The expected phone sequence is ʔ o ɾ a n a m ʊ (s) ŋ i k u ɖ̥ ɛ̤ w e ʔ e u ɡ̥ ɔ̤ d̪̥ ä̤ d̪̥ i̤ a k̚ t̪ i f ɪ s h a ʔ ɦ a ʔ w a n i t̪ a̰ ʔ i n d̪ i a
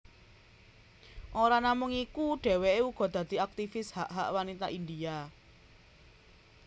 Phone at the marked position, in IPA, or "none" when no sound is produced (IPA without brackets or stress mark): none